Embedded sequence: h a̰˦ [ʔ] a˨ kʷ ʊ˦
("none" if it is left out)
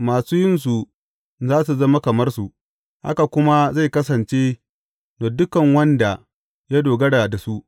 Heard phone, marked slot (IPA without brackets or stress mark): k